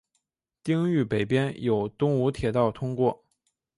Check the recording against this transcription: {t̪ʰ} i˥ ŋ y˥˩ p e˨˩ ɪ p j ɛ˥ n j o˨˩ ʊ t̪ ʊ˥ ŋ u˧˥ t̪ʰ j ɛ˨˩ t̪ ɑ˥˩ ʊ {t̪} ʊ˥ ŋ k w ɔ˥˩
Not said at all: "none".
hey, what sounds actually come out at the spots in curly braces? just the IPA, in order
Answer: t̪, t̪ʰ

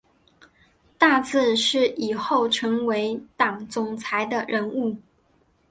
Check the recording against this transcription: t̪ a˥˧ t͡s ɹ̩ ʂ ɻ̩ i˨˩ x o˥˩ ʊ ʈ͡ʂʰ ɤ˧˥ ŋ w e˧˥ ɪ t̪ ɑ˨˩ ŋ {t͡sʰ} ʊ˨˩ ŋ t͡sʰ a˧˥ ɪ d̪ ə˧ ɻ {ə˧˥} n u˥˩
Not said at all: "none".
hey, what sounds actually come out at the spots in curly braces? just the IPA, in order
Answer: t͡s, ə˧˥

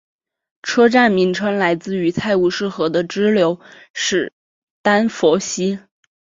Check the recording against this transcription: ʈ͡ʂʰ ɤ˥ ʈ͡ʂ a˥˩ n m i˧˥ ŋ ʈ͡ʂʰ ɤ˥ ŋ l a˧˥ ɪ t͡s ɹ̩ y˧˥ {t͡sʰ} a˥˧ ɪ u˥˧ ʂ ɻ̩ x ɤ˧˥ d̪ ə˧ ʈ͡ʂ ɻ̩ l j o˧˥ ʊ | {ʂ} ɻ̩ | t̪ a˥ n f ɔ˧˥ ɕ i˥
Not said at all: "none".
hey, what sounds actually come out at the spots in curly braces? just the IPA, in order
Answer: t͡sʰ, ʂ

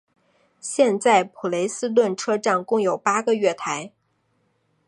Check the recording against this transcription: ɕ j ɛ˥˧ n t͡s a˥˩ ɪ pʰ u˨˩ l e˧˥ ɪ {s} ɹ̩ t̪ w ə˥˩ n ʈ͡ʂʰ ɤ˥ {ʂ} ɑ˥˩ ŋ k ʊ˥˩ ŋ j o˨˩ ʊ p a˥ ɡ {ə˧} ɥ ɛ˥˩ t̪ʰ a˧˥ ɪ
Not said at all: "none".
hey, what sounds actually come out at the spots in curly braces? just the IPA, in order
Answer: s, ʈ͡ʂ, ə˧

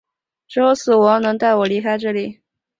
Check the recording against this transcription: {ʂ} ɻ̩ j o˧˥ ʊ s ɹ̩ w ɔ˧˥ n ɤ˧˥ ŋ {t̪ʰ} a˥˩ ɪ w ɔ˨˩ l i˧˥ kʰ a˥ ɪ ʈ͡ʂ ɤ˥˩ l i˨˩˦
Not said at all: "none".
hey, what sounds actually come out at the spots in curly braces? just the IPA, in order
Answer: ʈ͡ʂ, t̪

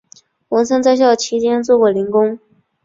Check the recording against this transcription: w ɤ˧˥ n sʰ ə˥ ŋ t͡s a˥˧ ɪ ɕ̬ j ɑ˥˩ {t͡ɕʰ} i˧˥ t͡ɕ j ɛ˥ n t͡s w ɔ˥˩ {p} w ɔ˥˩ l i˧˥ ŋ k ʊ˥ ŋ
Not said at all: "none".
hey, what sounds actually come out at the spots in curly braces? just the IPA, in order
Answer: t͡ɕʰ, k

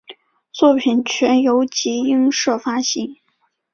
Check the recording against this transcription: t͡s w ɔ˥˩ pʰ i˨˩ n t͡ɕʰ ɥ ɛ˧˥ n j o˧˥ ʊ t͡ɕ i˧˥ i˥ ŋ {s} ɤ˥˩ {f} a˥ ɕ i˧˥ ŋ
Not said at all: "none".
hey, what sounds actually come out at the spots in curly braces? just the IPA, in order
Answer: ʂ, f

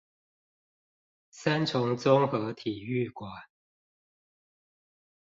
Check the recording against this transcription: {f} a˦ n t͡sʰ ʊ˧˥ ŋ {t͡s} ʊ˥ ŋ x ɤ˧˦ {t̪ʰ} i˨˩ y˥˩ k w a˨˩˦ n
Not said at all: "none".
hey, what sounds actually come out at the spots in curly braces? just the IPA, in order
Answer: s, t͡s, t̪ʰ

